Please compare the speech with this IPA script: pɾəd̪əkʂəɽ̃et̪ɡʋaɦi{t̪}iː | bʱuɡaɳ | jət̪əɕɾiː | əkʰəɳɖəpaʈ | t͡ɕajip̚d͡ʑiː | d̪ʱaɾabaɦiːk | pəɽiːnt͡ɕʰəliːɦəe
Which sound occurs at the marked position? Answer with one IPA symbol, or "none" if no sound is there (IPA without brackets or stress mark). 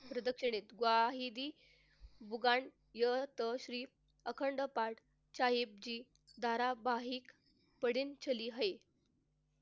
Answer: d̪